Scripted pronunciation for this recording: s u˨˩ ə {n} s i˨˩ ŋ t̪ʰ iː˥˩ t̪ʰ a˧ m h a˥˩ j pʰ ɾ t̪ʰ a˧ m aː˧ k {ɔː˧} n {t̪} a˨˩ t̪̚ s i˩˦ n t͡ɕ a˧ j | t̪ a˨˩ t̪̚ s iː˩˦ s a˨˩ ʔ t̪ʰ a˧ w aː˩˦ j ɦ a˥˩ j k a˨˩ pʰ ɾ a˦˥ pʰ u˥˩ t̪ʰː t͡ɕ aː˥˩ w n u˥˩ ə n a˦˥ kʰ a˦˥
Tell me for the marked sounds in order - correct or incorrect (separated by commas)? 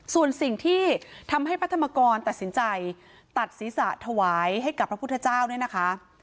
correct, correct, correct